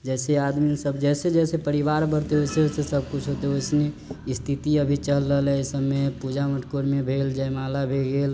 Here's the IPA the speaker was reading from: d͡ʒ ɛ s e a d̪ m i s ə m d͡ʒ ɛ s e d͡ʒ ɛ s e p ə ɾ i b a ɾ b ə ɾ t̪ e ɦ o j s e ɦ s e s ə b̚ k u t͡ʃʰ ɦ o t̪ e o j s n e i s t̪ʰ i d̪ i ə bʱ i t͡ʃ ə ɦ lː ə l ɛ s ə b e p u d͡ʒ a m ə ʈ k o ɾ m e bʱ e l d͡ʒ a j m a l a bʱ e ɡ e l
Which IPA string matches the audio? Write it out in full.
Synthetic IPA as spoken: d͡ʒ ɛ s e a d̪ m i s ə b d͡ʒ ɛ s e d͡ʒ ɛ s e p ə ɾ i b a ɾ b ə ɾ t̪ e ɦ o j s e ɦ s e s ə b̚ k u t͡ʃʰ ɦ o t̪ e o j s n e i s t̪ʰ i t̪ i ə bʱ i t͡ʃ ə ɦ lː ə l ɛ s ə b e p u d͡ʒ a m ə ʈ k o ɾ m e bʱ e l d͡ʒ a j m a l a bʱ e ɡ e l

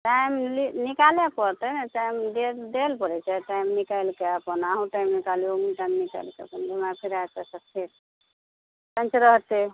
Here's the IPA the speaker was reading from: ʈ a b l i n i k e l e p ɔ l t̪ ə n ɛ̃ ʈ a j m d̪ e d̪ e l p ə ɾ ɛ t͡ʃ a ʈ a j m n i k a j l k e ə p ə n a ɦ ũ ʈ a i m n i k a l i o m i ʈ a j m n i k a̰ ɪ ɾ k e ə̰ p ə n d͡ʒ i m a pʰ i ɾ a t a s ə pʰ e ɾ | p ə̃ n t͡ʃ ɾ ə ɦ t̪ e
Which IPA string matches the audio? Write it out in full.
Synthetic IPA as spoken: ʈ a m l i n i k a l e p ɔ ɾ t̪ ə n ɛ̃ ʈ a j m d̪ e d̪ e l p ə ɾ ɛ t͡ʃ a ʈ a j m n i k a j l k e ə p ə n a ɦ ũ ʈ a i m n i k a l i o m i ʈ a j m n i k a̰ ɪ l k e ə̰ p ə n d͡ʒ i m a pʰ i ɾ a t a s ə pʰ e ɾ | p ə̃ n t͡ʃ ɾ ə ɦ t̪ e

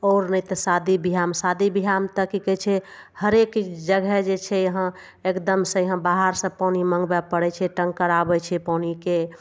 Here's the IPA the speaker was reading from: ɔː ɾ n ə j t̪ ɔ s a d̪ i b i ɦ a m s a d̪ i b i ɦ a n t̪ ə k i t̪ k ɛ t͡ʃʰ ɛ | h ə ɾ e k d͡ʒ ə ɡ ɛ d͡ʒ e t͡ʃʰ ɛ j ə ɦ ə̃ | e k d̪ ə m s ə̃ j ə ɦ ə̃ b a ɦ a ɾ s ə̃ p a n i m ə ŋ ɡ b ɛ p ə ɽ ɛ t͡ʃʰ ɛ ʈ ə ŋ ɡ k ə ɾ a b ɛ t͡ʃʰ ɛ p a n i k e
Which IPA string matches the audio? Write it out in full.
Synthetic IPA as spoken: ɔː ɾ n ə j t̪ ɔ s a d̪ i b i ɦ a m s a d̪ i b i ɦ a m t̪ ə k i k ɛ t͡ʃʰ ɛ | h ə ɾ e k d͡ʒ ə ɡ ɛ d͡ʒ e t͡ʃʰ ɛ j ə ɦ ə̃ | e k d̪ ə m s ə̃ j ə ɦ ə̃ b a ɦ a ɾ s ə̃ p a n i m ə ŋ ɡ b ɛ p ə ɽ ɛ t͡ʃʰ ɛ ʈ ə ŋ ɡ k ə ɾ a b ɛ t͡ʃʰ ɛ p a n i k e

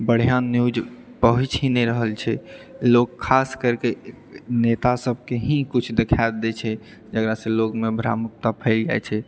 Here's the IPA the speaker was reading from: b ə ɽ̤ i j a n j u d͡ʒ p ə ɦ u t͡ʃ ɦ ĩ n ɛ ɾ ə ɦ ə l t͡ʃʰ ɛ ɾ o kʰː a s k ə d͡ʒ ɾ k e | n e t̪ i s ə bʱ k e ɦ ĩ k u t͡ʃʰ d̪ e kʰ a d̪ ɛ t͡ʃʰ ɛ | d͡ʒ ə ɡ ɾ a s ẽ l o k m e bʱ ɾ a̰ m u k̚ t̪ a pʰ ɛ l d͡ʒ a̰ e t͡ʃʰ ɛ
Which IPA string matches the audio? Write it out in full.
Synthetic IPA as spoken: b ə ɽ̤ i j a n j u d͡ʒ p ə ɦ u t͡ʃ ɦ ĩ n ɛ ɾ ə ɦ ə l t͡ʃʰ ɛ l o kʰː a s k ə ɾ k e | n e t̪ a s ə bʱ k e ɦ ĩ k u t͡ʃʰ d̪ e kʰ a d̪ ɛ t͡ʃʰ ɛ | d͡ʒ ə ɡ ɾ a s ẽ l o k m e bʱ ɾ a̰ m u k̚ t̪ a pʰ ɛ l d͡ʒ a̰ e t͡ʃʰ ɛ

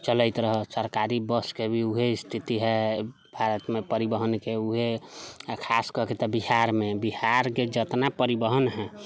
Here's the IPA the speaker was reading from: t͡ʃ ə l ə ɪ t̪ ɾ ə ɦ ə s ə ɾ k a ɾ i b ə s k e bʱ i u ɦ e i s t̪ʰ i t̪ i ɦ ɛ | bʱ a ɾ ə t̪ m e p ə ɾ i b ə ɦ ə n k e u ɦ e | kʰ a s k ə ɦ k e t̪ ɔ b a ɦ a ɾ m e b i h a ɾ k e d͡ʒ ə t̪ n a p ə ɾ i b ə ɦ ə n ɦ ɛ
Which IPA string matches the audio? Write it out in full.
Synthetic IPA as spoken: t͡ʃ ə l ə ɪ t̪ ɾ ə ɦ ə s ə ɾ k a ɾ i b ə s k e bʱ i u ɦ e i s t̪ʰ i t̪ i ɦ ɛ | bʱ a ɾ ə t̪ m e p ə ɾ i b ə ɦ ə n k e u ɦ e | kʰ a s k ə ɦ k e t̪ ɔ b i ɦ a ɾ m e b i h a ɾ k e d͡ʒ ə t̪ n a p ə ɾ i b ə ɦ ə n ɦ ɛ

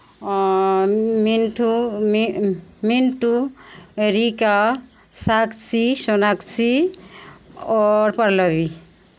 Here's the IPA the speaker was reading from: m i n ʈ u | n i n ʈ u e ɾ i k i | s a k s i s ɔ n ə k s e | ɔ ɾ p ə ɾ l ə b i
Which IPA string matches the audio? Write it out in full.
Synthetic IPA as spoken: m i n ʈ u | m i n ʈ u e ɾ i k a | s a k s i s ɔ n a k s i | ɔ ɾ p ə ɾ l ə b i

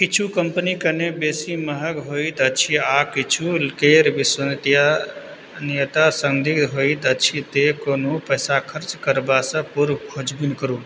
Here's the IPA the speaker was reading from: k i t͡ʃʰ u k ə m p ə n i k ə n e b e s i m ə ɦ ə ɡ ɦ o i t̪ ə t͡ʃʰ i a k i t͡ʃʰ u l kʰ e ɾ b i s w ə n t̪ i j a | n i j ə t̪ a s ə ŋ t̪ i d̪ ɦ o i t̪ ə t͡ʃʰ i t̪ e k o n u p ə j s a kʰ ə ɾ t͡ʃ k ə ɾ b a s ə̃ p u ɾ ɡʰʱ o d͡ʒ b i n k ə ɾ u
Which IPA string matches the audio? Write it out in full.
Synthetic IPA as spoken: k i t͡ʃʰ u k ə m p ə n i k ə n e b e s i m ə ɦ ə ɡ ɦ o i t̪ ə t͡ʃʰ i a k i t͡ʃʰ u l k e ɾ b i s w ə n t̪ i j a | n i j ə t̪ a s ə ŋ d̪ i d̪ ɦ o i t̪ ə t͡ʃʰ i t̪ e k o n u p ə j s a kʰ ə ɾ t͡ʃ k ə ɾ b a s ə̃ p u ɾ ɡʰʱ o d͡ʒ b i n k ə ɾ u

